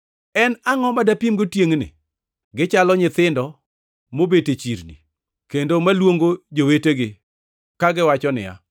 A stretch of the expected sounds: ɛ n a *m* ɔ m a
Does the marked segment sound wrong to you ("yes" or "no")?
yes